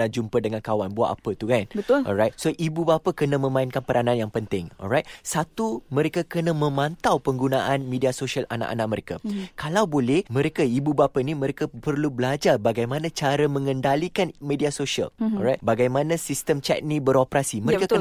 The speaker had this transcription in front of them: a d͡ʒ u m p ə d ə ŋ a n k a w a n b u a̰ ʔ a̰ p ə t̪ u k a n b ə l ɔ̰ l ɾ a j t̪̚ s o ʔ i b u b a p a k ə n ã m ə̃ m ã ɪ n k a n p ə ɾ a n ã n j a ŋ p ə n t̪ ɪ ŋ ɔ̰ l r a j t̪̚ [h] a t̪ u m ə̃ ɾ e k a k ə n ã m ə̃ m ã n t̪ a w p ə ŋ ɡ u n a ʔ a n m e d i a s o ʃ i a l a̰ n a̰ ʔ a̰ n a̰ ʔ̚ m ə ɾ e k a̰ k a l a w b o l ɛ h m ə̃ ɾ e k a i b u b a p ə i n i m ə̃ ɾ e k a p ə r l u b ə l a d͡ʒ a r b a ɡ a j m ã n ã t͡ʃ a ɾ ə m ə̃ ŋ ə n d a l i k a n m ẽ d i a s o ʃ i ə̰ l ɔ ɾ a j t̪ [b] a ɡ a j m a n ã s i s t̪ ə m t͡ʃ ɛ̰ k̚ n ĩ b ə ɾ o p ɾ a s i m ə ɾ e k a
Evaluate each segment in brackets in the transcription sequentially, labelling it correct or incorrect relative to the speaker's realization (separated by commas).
incorrect, correct